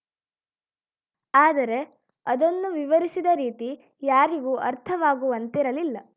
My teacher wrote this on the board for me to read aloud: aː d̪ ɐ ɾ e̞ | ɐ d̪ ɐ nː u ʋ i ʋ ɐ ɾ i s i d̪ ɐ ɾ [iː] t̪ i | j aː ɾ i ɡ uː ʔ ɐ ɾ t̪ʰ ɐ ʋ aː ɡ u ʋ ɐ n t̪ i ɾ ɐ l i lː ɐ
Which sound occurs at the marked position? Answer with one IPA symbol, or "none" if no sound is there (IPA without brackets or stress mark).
iː